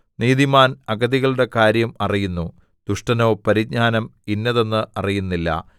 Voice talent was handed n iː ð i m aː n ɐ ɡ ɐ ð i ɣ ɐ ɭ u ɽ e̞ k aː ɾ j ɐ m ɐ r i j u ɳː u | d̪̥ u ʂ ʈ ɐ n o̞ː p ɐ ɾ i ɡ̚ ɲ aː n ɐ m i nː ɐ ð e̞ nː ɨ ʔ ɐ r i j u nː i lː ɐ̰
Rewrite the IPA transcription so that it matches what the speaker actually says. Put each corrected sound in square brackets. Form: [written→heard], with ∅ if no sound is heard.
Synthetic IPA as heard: n iː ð i m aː n ɐ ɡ ɐ ð i ɣ ɐ ɭ u ɽ e̞ k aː ɾ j ɐ m ɐ r i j u [ɳː→nː] u | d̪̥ u ʂ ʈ ɐ n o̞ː p ɐ ɾ i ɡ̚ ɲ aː n ɐ m i nː ɐ ð e̞ nː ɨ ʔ ɐ r i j u nː i lː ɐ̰